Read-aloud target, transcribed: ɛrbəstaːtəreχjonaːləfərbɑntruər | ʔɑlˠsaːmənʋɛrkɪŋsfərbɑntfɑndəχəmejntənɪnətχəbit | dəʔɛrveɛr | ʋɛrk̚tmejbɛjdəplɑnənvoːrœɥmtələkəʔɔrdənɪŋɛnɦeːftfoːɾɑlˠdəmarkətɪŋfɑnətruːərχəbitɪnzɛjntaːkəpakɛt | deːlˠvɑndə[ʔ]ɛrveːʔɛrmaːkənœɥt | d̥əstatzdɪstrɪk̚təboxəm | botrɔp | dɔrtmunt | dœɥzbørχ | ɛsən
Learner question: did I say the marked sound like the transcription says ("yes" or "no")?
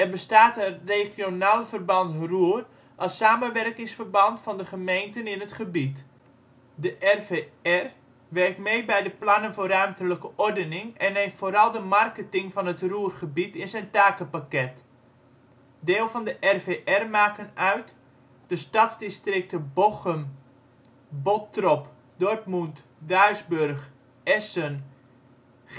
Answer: yes